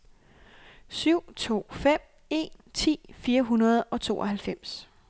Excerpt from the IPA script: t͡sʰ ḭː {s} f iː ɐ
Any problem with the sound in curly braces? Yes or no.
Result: yes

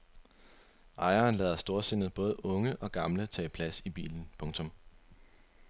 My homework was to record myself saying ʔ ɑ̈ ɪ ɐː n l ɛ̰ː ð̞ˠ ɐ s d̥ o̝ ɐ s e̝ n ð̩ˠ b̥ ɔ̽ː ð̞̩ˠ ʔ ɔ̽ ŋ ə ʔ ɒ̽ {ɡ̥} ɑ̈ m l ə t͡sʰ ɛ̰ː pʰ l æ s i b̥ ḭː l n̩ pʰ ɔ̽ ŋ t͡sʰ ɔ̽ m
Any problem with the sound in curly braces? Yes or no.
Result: no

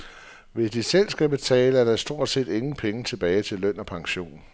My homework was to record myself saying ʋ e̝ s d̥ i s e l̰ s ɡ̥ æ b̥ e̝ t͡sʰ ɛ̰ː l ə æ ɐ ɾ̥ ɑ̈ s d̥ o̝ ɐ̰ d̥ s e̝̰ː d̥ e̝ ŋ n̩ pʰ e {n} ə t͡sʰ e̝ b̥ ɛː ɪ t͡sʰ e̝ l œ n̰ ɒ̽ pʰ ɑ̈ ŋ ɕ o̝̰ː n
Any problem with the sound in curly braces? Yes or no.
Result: yes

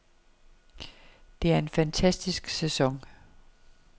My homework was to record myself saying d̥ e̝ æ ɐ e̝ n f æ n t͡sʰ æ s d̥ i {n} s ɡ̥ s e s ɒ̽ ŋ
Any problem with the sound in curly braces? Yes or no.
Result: yes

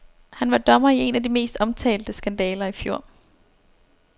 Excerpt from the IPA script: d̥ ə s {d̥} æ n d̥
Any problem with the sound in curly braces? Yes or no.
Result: yes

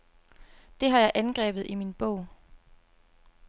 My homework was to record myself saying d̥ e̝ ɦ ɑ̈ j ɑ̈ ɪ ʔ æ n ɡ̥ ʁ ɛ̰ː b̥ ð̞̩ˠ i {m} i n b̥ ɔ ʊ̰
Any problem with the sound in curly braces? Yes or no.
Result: no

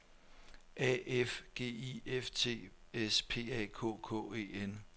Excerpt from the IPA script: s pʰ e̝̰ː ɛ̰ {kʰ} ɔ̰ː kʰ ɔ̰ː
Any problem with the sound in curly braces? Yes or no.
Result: no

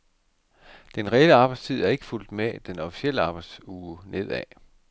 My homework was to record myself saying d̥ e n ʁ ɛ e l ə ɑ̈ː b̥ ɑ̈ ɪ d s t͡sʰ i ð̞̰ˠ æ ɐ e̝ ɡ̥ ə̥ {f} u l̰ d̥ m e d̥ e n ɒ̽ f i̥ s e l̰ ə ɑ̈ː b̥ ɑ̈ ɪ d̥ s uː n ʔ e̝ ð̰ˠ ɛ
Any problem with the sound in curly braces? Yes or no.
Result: no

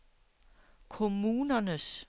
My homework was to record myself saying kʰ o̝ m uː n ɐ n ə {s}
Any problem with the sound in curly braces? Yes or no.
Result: no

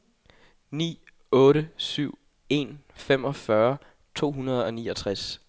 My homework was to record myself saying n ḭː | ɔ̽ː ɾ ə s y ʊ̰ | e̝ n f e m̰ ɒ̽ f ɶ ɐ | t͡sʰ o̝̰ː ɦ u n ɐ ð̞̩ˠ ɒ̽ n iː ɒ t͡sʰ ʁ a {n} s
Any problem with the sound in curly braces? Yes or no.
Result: yes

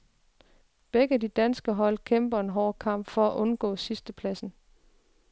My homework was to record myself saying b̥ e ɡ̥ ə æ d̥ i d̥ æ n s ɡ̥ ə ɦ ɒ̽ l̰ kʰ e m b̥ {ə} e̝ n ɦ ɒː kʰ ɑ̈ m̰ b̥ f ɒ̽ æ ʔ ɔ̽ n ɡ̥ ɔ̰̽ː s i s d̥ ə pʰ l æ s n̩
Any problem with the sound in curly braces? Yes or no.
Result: yes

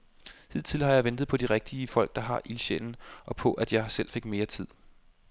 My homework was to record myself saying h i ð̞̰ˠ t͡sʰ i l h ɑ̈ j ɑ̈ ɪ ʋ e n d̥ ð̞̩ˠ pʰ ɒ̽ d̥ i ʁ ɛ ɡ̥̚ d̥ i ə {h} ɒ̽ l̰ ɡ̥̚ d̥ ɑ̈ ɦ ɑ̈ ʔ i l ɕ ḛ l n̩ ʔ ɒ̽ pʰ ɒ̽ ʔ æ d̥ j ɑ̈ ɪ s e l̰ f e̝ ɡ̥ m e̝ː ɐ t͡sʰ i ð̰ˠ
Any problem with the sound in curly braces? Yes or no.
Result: yes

